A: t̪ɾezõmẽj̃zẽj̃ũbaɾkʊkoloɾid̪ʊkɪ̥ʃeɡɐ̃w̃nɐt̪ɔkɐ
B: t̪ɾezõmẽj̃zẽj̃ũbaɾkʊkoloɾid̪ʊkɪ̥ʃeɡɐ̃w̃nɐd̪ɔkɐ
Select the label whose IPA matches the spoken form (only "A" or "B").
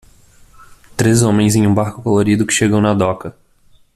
B